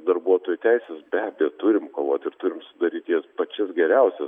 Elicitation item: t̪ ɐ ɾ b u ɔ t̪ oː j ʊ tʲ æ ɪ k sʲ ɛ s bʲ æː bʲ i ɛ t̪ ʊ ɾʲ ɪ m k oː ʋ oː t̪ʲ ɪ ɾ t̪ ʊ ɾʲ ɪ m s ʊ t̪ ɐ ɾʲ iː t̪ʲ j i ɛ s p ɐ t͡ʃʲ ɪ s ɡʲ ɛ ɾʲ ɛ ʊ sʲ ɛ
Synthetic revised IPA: d̪ ɐ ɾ b u ɔ t̪ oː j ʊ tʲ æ ɪ sʲ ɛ s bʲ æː bʲ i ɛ t̪ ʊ ɾʲ ɪ m k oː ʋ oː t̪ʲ ɪ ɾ t̪ ʊ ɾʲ ɪ m s ʊ d̪ ɐ ɾʲ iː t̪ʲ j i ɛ s p ɐ t͡ʃʲ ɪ s ɡʲ ɛ ɾʲ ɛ ʊ sʲ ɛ